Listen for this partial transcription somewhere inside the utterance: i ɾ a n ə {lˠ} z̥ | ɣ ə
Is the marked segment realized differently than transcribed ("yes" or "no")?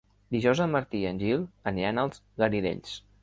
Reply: no